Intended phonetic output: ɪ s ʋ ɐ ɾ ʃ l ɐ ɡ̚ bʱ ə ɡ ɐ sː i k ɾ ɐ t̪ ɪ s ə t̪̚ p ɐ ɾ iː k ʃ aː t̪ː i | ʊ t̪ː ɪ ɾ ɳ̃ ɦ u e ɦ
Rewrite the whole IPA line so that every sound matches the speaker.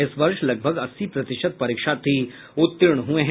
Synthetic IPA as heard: ɪ s ʋ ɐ ɾ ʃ l ɐ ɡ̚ bʱ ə ɡ ɐ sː i p ɾ ɐ t̪ ɪ ʃ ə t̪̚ p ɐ ɾ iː k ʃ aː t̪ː i | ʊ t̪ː ɪ ɾ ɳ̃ ɦ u e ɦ

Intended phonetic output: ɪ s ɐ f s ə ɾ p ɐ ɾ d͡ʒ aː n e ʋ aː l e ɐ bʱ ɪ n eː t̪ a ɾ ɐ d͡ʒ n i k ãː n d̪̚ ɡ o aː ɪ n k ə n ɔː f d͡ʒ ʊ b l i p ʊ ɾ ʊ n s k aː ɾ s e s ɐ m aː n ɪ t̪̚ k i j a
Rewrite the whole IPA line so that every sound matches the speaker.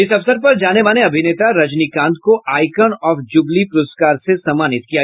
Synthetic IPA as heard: ɪ s ɐ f s ə ɾ p ɐ ɾ d͡ʒ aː n e ʋ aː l e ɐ bʱ ɪ n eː t̪ a ɾ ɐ d͡ʒ n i k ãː n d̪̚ k o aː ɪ k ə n ɔː f d͡ʒ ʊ b l i p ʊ ɾ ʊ s k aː ɾ s e s ɐ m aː n ɪ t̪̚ k i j a

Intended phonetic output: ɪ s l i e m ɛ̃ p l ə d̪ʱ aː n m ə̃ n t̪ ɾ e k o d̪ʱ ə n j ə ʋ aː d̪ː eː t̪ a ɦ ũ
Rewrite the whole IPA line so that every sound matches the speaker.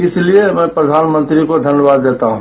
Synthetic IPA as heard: ɪ s l i e m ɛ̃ p ɾ ə d̪ʱ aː n m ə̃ n t̪ ɾ i k o d̪ʱ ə n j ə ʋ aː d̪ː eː t̪ a ɦ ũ

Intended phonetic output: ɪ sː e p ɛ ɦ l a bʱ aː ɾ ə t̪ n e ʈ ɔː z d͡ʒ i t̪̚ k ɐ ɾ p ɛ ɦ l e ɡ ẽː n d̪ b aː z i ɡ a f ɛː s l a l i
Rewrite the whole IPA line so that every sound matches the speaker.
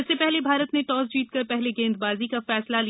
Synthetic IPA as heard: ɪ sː e p ɛ ɦ l e bʱ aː ɾ ə t̪ n e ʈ ɔː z d͡ʒ iː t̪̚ k ɐ ɾ p ɛ ɦ l e ɡ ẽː n d̪ b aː z i k a f ɛː s l a l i

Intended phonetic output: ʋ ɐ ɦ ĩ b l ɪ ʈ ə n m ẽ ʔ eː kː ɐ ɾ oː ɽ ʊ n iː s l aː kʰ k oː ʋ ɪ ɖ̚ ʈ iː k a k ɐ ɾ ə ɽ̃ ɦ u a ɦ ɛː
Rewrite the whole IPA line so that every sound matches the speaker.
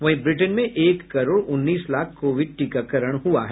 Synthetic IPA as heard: ʋ ɐ ɦ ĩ b ɾ ɪ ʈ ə n m ẽ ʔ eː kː ɐ ɾ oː ɽ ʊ nː iː s l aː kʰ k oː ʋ ɪ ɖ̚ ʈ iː k a k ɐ ɾ ə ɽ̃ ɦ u a ɦ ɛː

